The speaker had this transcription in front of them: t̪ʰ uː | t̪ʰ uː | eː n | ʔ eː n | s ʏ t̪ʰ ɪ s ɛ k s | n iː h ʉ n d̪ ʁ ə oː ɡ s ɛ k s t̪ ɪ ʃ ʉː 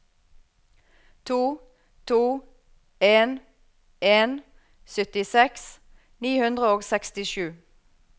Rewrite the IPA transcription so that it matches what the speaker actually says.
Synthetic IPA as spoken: t̪ʰ uː | t̪ʰ uː | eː n | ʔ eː n | s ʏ t̪ ɪ s ɛ k s | n iː h ʉ n d̪ ʁ ə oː ɡ s ɛ k s t̪ ɪ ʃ ʉː